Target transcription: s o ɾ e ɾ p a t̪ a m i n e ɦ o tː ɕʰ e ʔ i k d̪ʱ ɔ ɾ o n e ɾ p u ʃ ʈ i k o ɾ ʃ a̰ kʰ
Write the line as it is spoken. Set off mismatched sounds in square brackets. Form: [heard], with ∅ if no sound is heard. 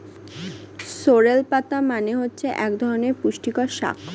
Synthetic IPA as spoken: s o ɾ e [l] p a t̪ a m [a] n e ɦ o tː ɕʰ e ʔ [ɛ] k d̪ʱ ɔ ɾ o n e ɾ p u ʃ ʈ i k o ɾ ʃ a̰ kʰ